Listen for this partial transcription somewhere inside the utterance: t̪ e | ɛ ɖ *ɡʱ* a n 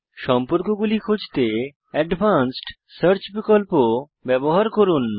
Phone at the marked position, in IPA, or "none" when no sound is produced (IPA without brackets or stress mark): bʱ